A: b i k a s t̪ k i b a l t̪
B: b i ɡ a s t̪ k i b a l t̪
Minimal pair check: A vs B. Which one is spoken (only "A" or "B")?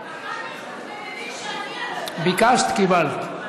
A